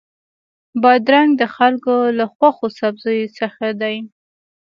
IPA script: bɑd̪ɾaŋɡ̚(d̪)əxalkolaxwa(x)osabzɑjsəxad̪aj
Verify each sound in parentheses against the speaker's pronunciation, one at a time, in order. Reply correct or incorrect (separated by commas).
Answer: correct, correct